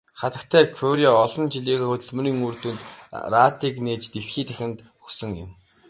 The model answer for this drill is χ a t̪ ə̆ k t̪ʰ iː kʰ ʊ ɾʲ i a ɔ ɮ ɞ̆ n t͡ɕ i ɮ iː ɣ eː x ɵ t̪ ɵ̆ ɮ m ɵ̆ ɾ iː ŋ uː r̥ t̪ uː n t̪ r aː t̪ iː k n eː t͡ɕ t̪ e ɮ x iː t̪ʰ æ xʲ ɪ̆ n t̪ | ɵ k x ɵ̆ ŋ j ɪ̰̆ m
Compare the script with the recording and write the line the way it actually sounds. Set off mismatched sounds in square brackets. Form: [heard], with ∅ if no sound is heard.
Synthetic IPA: χ a t̪ ə̆ k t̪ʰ [æː] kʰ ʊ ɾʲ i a ɔ ɮ ɞ̆ n t͡ɕ i ɮ iː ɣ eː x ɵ t̪ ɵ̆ ɮ m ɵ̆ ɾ iː ŋ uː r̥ t̪ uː n t̪ r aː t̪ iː k n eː t͡ɕ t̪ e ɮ x iː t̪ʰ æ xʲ ɪ̆ n t̪ | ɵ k [s] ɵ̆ ŋ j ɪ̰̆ m